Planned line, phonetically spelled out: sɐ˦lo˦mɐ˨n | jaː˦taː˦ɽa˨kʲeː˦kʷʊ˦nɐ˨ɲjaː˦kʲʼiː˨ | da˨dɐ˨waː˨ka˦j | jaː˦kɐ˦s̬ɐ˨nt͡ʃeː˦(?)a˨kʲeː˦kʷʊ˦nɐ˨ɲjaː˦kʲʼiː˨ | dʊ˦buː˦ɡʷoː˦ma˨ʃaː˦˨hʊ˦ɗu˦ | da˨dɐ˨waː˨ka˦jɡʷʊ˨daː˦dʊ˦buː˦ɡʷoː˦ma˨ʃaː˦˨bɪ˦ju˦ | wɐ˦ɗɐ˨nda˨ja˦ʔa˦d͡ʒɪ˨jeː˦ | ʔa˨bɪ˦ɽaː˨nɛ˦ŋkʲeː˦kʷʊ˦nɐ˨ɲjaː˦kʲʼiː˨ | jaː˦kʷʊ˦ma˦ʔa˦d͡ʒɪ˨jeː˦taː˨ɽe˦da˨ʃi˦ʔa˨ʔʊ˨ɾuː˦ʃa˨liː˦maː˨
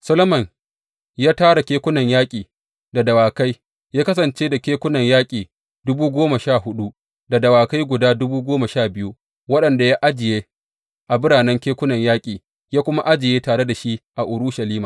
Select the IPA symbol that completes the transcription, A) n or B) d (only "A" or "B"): B